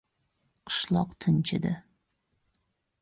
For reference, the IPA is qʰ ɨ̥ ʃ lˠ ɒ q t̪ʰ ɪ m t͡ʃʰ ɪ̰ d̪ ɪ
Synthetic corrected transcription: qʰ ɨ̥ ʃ lˠ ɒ q t̪ʰ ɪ n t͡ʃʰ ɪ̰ d̪ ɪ